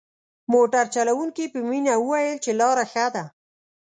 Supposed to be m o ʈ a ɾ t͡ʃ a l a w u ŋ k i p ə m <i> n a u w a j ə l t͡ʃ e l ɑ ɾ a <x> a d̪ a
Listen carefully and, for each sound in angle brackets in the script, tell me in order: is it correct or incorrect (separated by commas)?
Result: correct, correct